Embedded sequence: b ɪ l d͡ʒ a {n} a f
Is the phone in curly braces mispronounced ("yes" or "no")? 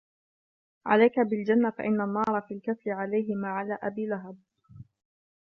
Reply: yes